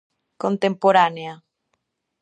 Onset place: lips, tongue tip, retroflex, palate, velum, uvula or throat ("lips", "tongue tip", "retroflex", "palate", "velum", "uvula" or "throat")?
velum